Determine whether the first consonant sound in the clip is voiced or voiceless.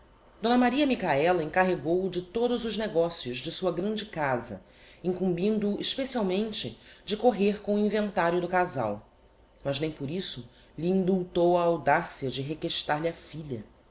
voiced